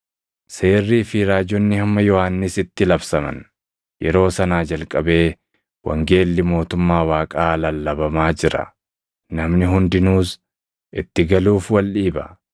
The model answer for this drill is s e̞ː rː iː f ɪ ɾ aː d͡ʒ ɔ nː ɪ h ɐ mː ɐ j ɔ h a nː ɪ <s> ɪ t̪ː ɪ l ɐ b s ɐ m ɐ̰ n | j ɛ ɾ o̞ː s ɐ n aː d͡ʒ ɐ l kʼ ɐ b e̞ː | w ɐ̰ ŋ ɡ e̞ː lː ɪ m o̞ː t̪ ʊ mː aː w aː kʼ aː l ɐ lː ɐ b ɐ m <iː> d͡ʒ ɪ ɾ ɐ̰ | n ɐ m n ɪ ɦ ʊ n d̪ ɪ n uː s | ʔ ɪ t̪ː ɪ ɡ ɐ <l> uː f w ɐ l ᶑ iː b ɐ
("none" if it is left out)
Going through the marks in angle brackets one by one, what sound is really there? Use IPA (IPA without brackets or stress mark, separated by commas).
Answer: s, aː, l